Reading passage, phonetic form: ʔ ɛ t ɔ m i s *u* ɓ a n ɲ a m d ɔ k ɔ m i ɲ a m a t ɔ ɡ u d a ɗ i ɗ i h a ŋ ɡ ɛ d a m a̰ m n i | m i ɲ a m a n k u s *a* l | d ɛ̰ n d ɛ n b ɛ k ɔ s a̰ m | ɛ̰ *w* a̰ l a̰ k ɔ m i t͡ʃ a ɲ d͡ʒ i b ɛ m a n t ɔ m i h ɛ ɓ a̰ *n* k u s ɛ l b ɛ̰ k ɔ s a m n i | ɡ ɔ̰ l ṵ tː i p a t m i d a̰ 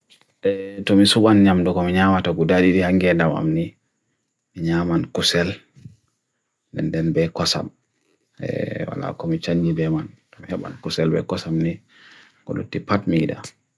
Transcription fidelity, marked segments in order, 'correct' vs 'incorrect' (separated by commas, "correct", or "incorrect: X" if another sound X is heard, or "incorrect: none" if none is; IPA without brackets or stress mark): correct, incorrect: ɛ, correct, correct